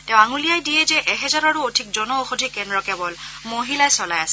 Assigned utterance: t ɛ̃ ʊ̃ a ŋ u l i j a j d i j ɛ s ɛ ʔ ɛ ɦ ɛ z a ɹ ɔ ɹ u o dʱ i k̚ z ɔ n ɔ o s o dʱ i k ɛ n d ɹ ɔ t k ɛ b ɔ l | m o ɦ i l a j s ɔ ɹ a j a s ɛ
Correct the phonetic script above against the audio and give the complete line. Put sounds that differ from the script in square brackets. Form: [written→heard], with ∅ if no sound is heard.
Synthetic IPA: t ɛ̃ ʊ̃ a ŋ u l i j a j d i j ɛ [s→z] ɛ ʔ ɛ ɦ ɛ z a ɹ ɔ ɹ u o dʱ i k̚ z ɔ n ɔ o [s→x] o dʱ i k ɛ n d ɹ ɔ [t→∅] k ɛ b ɔ l | m o ɦ i l a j s ɔ [ɹ→l] a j a s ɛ